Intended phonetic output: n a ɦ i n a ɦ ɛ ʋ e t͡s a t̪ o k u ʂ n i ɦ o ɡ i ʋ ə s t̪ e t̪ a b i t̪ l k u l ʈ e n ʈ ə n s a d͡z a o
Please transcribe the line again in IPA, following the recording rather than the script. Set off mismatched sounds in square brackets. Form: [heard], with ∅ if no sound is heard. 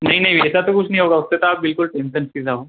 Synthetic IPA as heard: n a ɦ i n a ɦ [i] ʋ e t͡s a t̪ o k u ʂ n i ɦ o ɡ [a] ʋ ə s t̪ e t̪ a b i [∅] l k u l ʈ e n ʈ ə n s [i] d͡z a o

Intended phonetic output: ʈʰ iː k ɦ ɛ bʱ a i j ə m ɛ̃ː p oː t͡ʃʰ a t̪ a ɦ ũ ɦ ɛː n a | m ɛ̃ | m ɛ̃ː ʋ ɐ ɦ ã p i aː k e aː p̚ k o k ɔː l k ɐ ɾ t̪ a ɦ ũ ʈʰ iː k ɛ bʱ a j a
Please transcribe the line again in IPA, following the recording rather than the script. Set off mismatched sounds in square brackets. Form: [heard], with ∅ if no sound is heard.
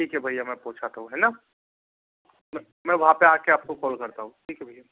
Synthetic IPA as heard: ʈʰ iː k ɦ ɛ bʱ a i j [a] m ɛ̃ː p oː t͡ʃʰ a t̪ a ɦ ũ ɦ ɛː n a | m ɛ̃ | m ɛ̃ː ʋ ɐ ɦ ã p [e] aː k e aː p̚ k o k ɔː l k ɐ ɾ t̪ a ɦ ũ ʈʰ iː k ɛ bʱ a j a

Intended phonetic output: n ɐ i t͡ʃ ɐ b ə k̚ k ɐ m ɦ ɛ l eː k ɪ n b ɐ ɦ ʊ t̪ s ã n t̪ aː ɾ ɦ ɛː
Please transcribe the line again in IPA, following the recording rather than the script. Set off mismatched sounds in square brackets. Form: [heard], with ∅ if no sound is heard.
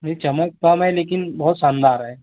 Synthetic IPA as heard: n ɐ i t͡ʃ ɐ [m] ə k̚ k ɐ m ɦ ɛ l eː k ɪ n b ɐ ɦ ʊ t̪ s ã n [d̪] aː ɾ ɦ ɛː

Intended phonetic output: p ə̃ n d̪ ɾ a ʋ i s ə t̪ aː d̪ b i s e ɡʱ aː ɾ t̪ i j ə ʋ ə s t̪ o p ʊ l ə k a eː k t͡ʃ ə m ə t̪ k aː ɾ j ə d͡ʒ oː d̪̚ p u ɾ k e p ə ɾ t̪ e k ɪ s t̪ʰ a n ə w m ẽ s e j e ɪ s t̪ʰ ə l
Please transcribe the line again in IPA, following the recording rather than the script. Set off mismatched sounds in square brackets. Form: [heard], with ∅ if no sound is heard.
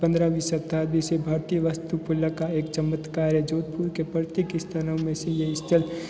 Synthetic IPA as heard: p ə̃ n d̪ ɾ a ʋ i s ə t̪ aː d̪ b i s e [bʱ] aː ɾ t̪ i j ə ʋ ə s t̪ [u] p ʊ l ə k a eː k t͡ʃ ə m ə t̪ k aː ɾ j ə d͡ʒ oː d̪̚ p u ɾ k e p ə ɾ t̪ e k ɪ s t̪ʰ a n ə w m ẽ s e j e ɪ s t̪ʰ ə l

